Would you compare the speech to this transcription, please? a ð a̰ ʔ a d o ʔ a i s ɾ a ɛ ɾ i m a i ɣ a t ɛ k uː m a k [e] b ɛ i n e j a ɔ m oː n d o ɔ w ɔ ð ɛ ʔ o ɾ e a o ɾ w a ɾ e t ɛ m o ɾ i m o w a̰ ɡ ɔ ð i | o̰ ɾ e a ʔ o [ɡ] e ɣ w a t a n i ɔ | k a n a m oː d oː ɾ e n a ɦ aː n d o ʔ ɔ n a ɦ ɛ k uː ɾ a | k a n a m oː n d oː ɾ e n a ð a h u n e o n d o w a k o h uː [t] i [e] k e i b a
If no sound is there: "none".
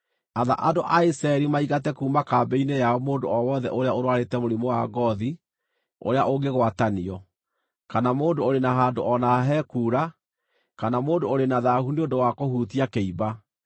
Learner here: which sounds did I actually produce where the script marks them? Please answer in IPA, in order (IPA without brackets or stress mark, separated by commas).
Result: a, ɡ, t, a